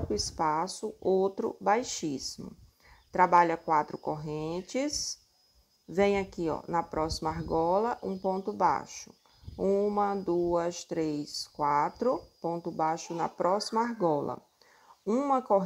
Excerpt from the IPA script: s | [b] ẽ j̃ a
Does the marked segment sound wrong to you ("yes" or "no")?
yes